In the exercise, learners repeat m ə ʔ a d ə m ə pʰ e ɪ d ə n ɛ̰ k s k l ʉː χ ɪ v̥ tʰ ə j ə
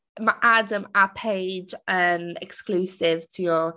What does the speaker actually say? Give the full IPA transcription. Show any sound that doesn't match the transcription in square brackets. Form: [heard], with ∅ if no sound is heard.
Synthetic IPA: m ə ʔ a d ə m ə pʰ e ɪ [d͡ʒ] ə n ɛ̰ k s k l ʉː [s] ɪ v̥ tʰ ə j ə